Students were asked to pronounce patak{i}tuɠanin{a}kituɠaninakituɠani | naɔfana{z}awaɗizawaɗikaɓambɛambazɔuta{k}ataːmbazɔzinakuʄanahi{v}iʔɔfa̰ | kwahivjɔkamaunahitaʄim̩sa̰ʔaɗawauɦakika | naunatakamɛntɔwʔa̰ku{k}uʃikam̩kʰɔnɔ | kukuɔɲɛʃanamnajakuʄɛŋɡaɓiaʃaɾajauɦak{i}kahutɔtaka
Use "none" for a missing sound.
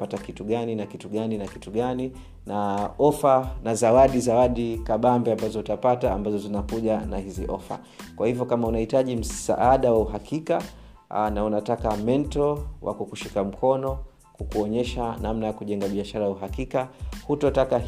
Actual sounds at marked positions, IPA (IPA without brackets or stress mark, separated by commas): i, a, z, p, z, k, i